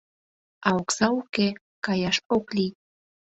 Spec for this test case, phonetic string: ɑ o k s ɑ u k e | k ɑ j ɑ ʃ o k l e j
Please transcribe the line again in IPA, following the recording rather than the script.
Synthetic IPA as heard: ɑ o k s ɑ u k e | k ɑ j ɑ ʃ o k l i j